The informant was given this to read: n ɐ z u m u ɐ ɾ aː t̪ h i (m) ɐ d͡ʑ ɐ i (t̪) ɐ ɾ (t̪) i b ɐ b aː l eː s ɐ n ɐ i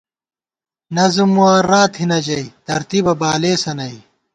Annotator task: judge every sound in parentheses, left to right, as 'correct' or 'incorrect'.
incorrect: n, correct, correct

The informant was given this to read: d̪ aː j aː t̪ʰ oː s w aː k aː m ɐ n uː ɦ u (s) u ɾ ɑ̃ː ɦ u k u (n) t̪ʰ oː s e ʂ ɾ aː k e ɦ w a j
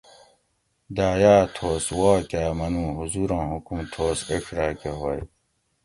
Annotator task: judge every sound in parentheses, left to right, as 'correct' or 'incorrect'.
incorrect: z, incorrect: m

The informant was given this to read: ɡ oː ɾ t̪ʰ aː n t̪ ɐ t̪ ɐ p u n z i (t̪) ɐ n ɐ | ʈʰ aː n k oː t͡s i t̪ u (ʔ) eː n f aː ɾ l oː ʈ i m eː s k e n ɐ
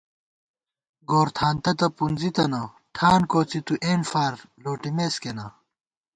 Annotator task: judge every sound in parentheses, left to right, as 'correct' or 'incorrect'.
correct, correct

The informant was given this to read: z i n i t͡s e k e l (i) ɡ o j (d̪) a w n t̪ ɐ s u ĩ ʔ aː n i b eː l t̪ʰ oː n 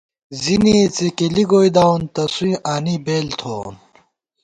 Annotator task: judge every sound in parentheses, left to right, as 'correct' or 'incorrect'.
correct, correct

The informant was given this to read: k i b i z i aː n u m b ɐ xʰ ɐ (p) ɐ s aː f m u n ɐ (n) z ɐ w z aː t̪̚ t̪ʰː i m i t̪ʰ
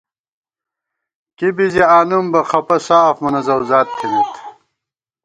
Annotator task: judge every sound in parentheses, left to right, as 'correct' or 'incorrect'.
correct, incorrect: none

